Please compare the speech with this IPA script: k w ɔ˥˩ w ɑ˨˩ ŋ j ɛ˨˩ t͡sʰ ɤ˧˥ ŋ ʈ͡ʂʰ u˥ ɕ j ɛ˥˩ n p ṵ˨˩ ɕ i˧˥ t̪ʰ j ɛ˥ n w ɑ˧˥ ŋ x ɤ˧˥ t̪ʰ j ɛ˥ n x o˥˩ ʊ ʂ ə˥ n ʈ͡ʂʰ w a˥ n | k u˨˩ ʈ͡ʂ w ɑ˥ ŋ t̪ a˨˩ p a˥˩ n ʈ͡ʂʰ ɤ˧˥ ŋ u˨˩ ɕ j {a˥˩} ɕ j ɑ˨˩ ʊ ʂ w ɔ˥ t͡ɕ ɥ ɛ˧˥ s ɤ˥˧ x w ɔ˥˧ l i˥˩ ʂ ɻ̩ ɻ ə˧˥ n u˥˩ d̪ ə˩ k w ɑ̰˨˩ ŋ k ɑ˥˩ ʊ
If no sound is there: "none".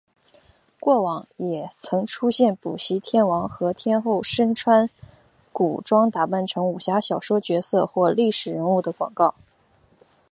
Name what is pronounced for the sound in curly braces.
a˧˥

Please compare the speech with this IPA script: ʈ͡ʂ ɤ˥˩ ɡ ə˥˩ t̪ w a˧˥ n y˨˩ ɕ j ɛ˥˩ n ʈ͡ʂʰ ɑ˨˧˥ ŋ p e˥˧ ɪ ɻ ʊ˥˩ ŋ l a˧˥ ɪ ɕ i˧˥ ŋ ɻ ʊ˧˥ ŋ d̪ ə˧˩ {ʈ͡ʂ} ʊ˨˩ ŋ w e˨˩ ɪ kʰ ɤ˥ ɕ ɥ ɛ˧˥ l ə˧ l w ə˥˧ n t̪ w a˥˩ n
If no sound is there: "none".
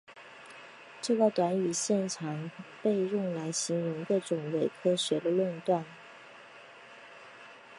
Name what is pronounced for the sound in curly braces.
ʈ͡ʂ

